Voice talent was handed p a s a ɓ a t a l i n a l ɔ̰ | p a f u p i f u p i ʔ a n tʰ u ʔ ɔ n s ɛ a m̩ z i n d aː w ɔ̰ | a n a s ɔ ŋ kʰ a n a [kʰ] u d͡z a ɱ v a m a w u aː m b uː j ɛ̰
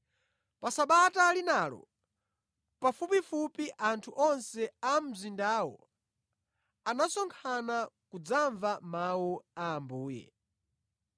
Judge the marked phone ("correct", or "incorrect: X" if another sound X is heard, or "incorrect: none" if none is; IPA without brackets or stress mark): incorrect: k